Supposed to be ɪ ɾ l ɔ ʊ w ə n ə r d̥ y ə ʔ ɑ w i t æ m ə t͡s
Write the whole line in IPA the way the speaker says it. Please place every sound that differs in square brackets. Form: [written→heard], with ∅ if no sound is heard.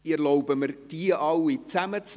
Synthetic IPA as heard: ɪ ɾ l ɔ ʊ [w→b] ə [n→m] ə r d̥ [y→i] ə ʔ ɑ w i [t→t͡s] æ m ə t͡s